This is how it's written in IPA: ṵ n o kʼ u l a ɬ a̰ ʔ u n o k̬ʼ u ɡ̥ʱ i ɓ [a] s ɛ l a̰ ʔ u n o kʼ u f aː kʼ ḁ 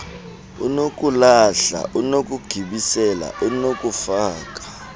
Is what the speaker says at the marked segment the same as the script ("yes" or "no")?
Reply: no